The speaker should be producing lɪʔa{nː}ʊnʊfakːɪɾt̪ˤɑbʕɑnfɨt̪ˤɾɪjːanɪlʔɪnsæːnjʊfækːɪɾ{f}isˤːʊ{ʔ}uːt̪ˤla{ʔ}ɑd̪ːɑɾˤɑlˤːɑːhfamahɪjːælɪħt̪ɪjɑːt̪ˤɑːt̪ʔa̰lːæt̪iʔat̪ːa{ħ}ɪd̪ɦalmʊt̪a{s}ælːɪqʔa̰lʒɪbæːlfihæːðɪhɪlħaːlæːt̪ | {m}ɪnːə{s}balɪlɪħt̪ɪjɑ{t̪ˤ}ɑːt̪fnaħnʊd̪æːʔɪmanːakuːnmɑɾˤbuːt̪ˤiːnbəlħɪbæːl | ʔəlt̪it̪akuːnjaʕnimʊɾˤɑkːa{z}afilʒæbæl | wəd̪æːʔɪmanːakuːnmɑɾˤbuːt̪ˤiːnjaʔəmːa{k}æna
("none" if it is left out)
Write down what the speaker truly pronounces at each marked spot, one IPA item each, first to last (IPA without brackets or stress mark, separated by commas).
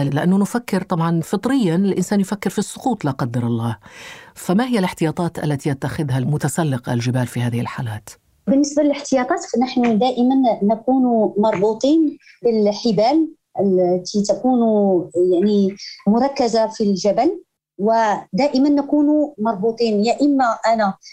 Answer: nː, f, q, q, x, s, b, s, t̪ˤ, z, ʔ